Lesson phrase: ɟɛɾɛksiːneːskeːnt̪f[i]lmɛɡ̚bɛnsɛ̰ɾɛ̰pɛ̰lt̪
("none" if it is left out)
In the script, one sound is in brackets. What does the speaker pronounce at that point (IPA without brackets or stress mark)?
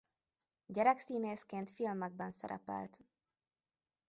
i